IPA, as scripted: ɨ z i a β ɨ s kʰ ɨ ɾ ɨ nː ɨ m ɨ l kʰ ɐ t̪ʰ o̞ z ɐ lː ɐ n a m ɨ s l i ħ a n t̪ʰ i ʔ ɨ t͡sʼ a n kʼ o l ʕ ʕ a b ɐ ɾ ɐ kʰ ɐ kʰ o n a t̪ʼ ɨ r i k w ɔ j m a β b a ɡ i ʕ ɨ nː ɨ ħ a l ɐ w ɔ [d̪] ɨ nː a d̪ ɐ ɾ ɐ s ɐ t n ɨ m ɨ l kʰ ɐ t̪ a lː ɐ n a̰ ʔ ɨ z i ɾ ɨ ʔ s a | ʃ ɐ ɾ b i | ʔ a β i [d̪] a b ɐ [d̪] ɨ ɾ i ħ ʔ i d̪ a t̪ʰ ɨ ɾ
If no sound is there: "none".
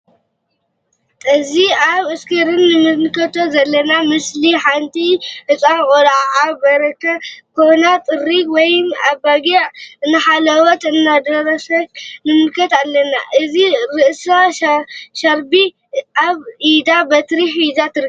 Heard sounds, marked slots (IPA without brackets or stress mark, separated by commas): t̪, d̪, t̪